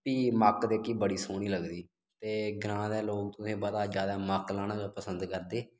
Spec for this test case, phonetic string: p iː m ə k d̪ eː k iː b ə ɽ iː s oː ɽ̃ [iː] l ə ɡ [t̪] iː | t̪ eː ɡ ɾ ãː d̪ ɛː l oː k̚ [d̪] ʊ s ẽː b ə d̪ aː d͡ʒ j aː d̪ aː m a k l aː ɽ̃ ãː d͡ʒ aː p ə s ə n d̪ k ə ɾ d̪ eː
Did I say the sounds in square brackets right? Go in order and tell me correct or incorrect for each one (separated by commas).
correct, incorrect, incorrect